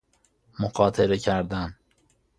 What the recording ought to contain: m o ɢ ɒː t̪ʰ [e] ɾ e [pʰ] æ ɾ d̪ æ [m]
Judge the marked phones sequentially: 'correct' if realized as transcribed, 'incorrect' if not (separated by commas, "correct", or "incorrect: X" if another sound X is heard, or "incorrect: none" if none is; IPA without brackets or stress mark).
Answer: correct, incorrect: cʰ, incorrect: n